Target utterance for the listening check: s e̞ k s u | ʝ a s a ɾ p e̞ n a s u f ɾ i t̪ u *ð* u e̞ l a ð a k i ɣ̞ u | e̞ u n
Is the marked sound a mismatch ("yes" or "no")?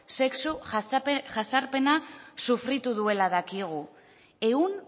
no